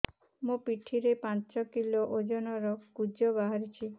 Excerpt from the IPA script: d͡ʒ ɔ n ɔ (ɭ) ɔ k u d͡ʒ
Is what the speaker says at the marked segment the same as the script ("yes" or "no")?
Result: no